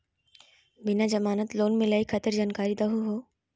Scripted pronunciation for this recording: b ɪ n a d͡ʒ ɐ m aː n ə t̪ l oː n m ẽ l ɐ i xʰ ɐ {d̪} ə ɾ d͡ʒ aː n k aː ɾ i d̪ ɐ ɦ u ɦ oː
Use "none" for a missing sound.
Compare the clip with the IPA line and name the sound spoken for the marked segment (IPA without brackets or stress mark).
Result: t̪